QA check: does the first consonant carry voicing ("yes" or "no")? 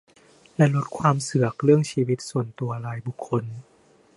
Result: yes